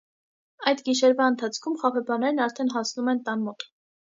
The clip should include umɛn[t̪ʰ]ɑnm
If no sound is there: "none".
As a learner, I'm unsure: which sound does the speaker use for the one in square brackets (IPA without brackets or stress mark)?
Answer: t̪